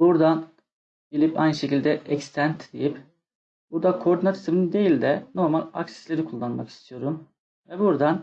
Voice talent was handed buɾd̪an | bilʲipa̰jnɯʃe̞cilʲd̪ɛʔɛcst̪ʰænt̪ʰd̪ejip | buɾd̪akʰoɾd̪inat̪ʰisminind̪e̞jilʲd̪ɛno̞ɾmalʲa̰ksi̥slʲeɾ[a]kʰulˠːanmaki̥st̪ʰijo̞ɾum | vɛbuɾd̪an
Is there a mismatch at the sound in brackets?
yes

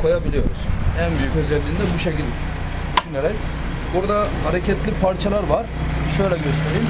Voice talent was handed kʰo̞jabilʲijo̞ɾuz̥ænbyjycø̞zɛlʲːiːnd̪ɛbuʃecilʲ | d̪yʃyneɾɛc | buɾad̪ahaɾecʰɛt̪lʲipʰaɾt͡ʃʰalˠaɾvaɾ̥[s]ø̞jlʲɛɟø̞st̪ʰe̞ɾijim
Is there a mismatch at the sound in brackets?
yes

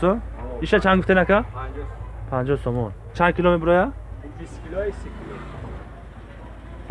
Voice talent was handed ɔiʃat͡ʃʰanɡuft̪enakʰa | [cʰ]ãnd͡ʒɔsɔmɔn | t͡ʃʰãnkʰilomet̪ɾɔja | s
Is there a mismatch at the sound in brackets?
yes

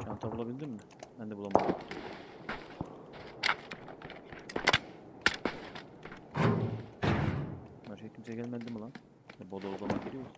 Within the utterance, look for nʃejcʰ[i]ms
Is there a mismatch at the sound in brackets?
no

